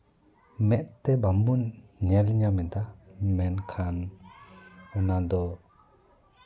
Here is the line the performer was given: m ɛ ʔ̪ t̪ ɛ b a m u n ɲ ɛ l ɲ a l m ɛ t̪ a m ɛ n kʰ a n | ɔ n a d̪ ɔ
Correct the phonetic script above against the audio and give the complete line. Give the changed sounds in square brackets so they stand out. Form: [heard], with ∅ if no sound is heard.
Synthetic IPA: m ɛ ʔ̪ t̪ ɛ b a m u n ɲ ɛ l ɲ a [∅] m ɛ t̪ a m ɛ n kʰ a n | ɔ n a d̪ ɔ